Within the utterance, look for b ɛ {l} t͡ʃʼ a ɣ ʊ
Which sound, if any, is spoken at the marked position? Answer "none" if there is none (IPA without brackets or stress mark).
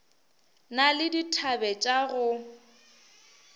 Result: none